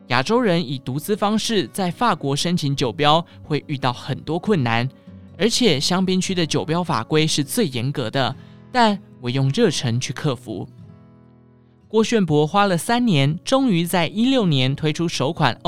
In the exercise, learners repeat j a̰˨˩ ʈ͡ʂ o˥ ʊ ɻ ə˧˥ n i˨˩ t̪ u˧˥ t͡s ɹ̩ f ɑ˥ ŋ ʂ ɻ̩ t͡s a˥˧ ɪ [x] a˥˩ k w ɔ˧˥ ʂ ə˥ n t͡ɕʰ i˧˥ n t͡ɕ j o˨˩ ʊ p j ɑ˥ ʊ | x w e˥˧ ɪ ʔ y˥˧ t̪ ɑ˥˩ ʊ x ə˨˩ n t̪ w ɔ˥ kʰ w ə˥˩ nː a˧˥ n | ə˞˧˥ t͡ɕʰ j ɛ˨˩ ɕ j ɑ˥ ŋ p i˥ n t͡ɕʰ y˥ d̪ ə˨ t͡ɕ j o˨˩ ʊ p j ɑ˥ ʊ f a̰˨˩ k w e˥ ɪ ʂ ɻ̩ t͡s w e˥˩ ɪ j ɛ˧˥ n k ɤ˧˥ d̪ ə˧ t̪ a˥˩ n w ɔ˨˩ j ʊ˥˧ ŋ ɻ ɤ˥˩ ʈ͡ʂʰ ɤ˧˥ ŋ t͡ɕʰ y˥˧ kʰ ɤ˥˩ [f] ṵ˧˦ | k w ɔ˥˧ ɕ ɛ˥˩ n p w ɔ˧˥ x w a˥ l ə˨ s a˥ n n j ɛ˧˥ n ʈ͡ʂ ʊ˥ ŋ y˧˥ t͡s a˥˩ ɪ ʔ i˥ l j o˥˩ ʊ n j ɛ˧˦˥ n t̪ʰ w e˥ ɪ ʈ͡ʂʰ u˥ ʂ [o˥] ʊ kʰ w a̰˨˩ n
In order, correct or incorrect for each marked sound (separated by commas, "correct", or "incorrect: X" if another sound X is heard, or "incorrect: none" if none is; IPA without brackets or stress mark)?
incorrect: f, correct, incorrect: o˧˥